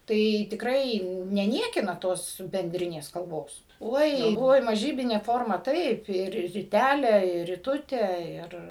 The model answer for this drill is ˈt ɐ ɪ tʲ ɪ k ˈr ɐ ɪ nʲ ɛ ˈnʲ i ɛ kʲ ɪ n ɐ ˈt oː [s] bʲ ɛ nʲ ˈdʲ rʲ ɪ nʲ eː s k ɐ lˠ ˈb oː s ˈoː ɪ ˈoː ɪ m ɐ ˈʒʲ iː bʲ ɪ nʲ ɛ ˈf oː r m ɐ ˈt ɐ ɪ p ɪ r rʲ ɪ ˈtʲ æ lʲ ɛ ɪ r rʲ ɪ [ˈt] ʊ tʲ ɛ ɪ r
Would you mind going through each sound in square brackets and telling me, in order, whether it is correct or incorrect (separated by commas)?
correct, correct